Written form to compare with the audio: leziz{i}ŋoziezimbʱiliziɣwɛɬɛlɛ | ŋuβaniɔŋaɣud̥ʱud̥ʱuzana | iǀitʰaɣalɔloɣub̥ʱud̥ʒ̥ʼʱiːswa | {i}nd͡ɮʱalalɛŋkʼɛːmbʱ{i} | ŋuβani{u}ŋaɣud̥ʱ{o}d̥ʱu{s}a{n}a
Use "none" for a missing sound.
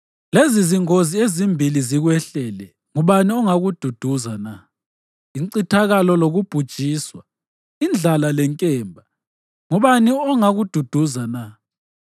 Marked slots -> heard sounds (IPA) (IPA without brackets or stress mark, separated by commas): i, i, a, ɔ, u, z, n